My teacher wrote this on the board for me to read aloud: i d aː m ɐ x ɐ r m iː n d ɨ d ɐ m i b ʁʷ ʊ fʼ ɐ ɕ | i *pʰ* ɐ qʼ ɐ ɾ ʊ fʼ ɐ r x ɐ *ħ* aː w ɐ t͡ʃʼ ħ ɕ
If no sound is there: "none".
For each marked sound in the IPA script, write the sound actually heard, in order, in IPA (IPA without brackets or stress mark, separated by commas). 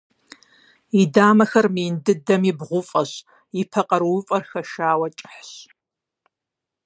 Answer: pʰ, ʃ